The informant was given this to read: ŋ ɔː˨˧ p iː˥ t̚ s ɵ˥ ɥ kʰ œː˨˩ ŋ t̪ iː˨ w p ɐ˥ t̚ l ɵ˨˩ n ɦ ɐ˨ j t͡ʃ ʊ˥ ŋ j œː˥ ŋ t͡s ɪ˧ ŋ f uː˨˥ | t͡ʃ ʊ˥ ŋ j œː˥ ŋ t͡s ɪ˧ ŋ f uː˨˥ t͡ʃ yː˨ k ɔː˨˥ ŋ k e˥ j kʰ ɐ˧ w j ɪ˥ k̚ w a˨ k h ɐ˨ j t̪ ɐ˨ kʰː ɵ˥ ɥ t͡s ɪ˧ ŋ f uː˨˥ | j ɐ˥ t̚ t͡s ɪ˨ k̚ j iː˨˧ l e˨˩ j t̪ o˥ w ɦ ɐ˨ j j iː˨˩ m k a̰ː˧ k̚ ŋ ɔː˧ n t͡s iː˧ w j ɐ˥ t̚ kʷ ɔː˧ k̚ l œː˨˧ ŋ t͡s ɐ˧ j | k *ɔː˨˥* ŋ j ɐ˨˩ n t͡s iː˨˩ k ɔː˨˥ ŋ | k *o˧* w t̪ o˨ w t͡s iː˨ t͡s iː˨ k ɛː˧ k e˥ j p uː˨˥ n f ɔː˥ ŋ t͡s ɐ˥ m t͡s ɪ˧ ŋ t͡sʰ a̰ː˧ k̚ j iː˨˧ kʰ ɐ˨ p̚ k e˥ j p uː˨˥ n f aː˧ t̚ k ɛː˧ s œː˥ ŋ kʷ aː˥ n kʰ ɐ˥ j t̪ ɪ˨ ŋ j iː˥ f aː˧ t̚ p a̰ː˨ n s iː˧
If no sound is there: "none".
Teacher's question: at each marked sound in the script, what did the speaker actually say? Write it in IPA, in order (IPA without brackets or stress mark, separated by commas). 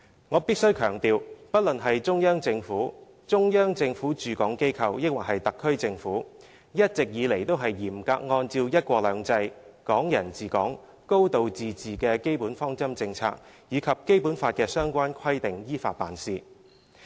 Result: ɔː˨˥, o˥